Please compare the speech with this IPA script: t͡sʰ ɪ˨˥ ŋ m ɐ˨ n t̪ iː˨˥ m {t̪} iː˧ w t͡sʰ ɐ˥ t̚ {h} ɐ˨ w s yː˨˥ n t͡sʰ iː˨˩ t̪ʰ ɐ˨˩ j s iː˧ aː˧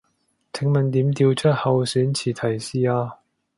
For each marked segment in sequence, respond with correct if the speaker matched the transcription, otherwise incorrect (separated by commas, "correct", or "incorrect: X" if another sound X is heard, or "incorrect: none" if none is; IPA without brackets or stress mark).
correct, correct